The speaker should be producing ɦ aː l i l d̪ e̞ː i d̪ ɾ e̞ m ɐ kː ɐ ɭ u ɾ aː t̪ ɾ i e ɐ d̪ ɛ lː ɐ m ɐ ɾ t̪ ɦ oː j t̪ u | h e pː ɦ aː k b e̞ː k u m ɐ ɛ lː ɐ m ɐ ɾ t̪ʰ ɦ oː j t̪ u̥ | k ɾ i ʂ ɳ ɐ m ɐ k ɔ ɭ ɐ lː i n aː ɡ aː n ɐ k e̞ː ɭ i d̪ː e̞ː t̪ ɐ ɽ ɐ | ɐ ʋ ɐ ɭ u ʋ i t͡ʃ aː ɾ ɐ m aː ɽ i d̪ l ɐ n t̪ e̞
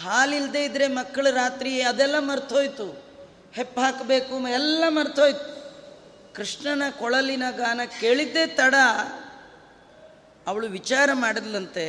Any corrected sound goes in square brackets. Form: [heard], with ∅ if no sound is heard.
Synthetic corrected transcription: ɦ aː l i l d̪ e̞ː i d̪ ɾ e̞ m ɐ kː ɐ ɭ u ɾ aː t̪ ɾ i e ɐ d̪ ɛ lː ɐ m ɐ ɾ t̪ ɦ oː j t̪ u | h e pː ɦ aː k b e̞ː k u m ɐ ɛ lː ɐ m ɐ ɾ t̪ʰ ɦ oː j t̪ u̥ | k ɾ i ʂ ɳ ɐ [n] ɐ k ɔ ɭ ɐ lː i n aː ɡ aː n ɐ k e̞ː ɭ i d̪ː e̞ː t̪ ɐ ɽ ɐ | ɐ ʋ ɐ ɭ u ʋ i t͡ʃ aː ɾ ɐ m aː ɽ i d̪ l ɐ n t̪ e̞